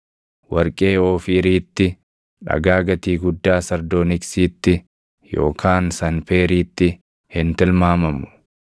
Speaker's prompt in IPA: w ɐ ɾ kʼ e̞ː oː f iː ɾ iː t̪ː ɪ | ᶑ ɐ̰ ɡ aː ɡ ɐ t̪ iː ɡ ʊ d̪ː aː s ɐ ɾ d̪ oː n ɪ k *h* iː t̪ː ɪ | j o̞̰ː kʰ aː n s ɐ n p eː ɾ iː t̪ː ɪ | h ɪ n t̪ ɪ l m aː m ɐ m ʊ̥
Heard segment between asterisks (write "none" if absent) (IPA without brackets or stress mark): s